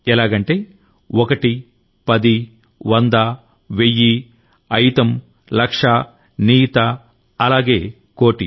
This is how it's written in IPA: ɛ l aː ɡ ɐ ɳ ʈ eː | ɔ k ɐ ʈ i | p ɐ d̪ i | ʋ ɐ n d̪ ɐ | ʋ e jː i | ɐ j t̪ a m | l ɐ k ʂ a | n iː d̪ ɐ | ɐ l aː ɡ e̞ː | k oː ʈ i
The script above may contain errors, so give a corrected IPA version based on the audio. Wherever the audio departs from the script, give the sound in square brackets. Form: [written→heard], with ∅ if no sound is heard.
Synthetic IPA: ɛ l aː ɡ ɐ ɳ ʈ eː | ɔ k ɐ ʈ i | p ɐ d̪ i | ʋ ɐ n d̪ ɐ | ʋ e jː i | ɐ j t̪ [a→ɐ] m | l ɐ k ʂ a | n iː [d̪→t̪] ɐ | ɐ l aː ɡ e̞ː | k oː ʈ i